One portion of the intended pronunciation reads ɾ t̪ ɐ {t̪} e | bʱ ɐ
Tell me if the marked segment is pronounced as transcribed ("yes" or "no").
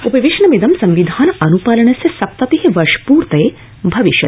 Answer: no